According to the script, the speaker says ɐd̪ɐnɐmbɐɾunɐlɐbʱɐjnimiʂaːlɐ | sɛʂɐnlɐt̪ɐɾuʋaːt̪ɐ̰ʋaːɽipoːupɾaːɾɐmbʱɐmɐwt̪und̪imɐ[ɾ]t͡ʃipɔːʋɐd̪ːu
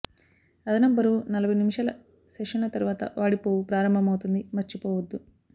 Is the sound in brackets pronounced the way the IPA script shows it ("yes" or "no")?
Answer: yes